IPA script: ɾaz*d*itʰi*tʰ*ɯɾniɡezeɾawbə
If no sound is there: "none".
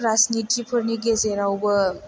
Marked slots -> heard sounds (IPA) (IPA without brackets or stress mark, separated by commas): n, pʰ